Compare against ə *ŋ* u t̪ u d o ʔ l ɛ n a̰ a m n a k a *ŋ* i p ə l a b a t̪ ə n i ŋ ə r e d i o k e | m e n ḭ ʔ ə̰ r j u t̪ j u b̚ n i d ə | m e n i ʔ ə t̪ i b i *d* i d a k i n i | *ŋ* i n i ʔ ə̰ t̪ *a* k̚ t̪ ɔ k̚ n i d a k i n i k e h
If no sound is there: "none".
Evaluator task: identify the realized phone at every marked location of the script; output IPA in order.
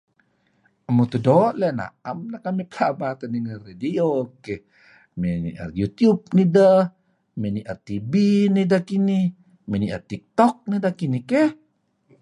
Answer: m, m, n, m, i

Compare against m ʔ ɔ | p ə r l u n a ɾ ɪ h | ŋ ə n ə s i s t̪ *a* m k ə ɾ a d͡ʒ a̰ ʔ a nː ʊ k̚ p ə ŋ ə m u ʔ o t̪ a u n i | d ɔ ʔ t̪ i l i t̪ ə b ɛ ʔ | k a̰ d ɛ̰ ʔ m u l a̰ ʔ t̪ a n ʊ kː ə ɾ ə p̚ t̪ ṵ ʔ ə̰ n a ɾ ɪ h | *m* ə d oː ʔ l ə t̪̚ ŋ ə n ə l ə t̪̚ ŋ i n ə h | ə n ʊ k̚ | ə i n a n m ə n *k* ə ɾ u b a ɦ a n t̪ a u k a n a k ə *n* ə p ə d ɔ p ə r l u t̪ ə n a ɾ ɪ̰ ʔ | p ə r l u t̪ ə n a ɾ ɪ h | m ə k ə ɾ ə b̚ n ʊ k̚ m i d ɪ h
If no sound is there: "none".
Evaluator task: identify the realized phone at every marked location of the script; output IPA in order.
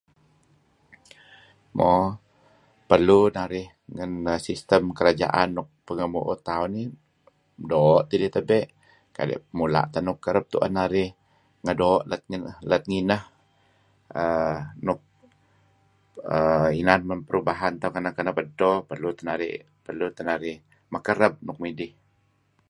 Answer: ə, ŋ, p, n

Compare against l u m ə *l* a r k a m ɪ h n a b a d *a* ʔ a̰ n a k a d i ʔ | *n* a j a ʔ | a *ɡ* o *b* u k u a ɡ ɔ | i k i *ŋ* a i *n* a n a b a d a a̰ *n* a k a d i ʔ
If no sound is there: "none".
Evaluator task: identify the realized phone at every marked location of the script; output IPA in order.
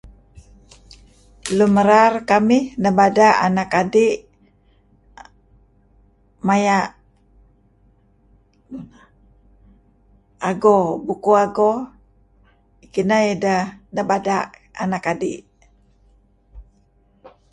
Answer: ɾ, a, m, ɡ, b, n, d, n

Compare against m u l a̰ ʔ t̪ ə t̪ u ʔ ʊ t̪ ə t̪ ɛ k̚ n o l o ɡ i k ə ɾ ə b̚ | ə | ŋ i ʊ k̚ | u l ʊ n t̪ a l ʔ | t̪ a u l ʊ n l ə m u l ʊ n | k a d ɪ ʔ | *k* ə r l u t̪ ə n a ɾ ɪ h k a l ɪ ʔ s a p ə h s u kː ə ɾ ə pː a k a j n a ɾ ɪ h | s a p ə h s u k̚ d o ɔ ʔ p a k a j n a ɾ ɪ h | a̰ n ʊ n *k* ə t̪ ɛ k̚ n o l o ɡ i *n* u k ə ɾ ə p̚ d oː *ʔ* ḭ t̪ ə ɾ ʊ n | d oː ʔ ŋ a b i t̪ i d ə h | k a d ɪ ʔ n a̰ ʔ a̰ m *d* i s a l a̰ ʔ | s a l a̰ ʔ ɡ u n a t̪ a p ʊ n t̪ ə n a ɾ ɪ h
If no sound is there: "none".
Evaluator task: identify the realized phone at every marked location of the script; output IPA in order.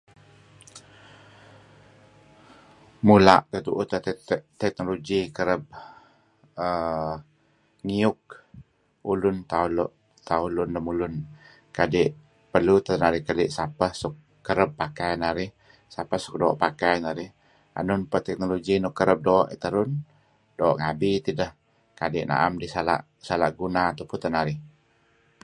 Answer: p, p, n, ʔ, d

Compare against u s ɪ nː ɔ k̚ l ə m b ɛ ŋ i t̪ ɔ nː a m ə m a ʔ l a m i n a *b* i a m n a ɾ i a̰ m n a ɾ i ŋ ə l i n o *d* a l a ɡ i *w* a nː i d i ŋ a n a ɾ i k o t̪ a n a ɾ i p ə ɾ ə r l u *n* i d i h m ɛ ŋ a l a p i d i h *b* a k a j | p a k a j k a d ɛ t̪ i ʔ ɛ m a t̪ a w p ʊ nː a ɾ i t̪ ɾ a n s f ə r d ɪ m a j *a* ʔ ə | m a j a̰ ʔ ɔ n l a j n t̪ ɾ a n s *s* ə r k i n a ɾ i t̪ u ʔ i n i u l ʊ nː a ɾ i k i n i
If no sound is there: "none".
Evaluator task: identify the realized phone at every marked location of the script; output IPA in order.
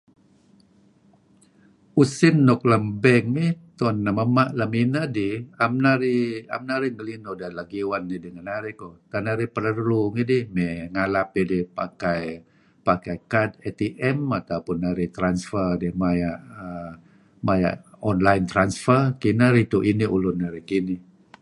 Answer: d, d, w, ŋ, p, a, f

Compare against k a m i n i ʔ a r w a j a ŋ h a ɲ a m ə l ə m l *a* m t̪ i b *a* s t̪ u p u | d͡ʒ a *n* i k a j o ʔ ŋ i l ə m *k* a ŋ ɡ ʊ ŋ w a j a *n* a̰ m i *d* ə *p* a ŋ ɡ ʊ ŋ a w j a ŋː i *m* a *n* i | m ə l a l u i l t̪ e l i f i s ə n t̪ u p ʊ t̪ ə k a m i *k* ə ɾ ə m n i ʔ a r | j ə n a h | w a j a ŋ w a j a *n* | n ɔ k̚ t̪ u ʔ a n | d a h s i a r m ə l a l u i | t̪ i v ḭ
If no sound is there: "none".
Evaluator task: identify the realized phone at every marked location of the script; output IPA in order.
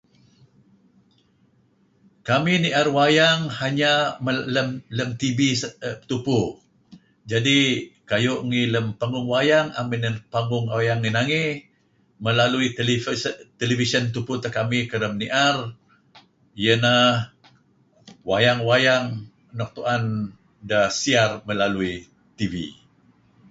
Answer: ə, i, d, p, ŋ, n, p, n, ŋ, k, ŋ

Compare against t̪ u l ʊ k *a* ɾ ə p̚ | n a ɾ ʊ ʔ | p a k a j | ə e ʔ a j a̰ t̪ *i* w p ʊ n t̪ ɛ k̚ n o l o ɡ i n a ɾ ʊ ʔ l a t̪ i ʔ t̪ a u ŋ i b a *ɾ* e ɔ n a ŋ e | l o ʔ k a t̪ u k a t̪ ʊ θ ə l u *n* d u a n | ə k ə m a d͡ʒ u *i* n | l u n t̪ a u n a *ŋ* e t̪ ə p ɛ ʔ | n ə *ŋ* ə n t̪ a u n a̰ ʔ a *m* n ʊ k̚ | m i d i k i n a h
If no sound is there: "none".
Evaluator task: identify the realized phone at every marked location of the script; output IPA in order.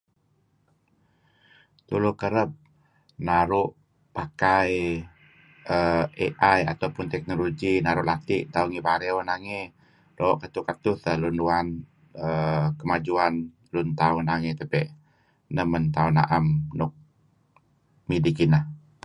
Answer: ə, a, ɾ, n, a, ŋ, m, m

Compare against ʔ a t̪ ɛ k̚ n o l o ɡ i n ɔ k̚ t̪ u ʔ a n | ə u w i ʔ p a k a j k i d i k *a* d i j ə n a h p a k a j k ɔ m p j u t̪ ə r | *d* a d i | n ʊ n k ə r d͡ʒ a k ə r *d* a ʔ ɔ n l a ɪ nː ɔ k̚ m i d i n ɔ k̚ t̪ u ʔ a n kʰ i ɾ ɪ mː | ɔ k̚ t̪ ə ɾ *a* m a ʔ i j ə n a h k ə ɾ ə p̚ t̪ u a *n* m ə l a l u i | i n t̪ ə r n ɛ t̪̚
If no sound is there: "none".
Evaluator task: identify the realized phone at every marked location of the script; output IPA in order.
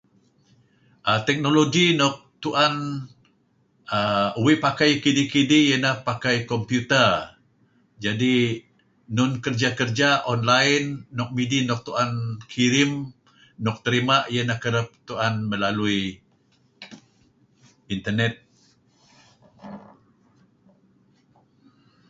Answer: i, d͡ʒ, d͡ʒ, i, n

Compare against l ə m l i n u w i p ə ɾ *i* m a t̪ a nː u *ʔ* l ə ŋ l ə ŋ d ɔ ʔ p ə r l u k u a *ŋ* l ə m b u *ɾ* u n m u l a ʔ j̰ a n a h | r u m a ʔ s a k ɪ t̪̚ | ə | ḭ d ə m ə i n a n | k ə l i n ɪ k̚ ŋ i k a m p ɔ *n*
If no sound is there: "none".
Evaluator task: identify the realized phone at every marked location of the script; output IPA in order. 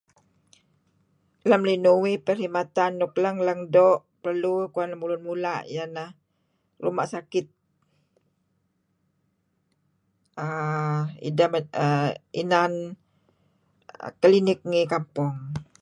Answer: i, k, n, l, ŋ

